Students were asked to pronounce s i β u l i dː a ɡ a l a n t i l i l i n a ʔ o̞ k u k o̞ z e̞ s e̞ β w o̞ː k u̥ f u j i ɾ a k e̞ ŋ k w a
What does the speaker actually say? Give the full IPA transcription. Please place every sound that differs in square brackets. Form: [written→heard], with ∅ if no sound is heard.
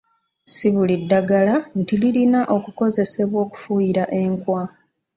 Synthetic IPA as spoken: s i β u l i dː a ɡ a l a n t i l i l i n a ʔ o̞ k u k o̞ z e̞ s e̞ β w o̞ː k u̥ f u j i ɾ a [k→ʔ] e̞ ŋ k w a

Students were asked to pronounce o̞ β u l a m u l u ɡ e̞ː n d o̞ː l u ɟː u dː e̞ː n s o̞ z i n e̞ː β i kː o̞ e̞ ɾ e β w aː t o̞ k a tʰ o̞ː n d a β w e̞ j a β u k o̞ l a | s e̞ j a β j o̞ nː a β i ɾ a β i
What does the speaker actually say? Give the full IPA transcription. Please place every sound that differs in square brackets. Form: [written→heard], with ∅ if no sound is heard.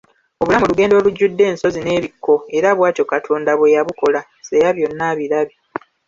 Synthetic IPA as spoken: o̞ β u l a m u l u ɡ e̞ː n d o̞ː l u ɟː u dː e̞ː n s o̞ z i n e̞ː β i kː o̞ e̞ ɾ [e→a] β w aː t o̞ k a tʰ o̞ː n d a β w e̞ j a β u k o̞ l a | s e̞ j a β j o̞ nː a β i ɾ a β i

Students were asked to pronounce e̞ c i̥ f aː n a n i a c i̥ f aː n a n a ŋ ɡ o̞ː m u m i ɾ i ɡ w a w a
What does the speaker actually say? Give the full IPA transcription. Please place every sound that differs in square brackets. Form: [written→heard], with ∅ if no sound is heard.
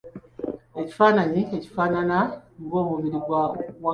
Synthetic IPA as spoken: e̞ c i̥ f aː n a [n→ɲ] i [a→e] c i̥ f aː n a n a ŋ ɡ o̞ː m u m i ɾ i ɡ w a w a

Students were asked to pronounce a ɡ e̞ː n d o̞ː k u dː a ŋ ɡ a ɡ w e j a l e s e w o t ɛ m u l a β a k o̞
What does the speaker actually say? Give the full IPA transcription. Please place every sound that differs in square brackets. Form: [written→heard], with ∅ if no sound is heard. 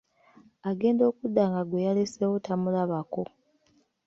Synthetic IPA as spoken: a ɡ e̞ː n d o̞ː k u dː a ŋ ɡ a ɡ w e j a l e s e w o t [ɛ→a] m u l a β a k o̞

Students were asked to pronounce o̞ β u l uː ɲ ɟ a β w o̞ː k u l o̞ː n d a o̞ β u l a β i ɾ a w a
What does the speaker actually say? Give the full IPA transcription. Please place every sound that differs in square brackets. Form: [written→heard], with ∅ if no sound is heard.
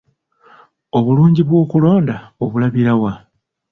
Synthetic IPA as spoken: o̞ β u l uː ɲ ɟ [a→i] β w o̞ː k u l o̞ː n d a o̞ β u l a β i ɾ a w a

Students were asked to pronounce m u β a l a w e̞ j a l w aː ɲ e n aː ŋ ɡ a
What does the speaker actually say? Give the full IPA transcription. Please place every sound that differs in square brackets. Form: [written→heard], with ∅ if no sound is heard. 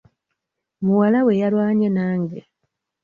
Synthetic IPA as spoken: m u [β→w] a l a w e̞ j a l w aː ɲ e n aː ŋ ɡ [a→e]

